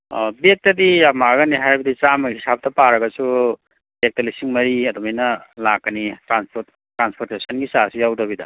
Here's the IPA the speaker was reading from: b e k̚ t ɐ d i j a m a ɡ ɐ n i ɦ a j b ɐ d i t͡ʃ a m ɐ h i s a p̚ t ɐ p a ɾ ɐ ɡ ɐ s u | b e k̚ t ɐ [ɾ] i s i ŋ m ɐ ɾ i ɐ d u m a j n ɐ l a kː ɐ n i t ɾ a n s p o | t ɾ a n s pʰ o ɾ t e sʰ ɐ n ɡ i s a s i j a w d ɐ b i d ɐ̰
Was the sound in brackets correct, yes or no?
no